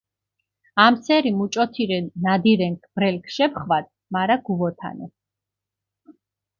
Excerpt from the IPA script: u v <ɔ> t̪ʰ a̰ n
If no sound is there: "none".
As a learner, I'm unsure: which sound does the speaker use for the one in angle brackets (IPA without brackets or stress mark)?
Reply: ɔ